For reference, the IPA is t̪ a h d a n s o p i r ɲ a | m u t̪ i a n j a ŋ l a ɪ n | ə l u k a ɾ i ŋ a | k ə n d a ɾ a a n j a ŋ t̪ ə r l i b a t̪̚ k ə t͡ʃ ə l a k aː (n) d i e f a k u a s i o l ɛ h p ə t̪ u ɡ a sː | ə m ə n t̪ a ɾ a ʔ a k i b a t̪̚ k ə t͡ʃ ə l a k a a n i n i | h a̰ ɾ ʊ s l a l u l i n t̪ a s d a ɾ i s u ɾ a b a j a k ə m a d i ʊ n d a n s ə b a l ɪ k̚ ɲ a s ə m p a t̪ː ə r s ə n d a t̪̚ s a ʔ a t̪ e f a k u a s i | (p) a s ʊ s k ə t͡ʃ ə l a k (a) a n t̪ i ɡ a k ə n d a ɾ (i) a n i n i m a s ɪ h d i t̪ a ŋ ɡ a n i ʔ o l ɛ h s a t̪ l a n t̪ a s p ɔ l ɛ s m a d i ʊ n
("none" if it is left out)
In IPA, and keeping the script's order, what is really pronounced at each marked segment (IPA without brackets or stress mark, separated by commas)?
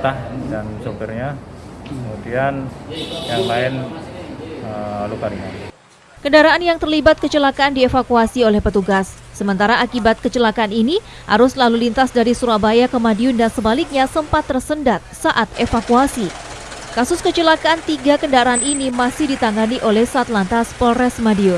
n, k, a, a